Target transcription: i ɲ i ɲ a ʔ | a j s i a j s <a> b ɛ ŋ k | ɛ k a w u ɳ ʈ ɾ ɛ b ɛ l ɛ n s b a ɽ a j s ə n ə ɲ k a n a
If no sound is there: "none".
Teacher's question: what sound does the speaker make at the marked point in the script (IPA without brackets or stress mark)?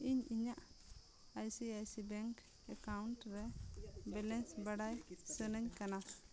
i